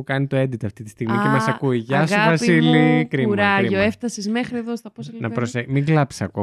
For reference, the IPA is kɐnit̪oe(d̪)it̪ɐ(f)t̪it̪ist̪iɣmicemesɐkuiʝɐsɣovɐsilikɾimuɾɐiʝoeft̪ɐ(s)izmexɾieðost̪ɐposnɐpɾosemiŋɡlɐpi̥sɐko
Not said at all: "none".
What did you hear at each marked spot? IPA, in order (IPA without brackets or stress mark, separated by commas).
d̪, f, s